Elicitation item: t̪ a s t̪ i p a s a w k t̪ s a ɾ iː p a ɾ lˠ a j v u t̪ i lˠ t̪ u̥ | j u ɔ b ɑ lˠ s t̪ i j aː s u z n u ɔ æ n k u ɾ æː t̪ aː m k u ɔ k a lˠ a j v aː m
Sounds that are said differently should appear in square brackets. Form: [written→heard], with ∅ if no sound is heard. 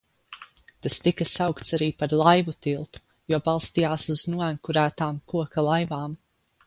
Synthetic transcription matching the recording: t̪ a s t̪ i [p→k] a s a w k t̪ s a ɾ iː p a ɾ lˠ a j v u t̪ i lˠ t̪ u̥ | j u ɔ b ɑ lˠ s t̪ i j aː s u z n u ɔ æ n k u ɾ æː t̪ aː m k u ɔ k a lˠ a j v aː m